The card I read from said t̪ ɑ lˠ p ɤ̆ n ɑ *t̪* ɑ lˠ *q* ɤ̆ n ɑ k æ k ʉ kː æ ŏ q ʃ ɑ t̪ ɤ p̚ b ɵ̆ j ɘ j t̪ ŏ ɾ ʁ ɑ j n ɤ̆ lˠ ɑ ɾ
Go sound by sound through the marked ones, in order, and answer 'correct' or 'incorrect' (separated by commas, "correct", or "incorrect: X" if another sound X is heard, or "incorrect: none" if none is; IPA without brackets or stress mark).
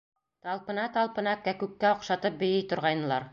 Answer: correct, incorrect: p